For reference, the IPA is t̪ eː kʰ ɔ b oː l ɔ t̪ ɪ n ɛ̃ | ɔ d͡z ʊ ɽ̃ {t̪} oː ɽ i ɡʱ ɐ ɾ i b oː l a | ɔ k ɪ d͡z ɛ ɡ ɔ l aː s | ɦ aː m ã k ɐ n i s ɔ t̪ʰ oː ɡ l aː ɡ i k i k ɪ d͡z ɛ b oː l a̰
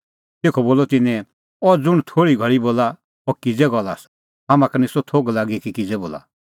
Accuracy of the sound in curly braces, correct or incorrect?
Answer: incorrect